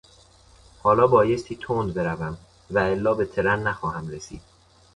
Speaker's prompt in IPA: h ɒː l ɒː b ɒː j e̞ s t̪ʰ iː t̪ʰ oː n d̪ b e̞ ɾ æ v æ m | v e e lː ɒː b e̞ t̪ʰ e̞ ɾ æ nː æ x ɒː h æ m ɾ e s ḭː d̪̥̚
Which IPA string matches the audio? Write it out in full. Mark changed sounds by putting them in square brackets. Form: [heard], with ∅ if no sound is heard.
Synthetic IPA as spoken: h ɒː l ɒː b ɒː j e̞ s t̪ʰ iː t̪ʰ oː n d̪ b e̞ ɾ æ v æ m | v [æ] e lː ɒː b e̞ t̪ʰ e̞ ɾ æ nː æ x ɒː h æ m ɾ e s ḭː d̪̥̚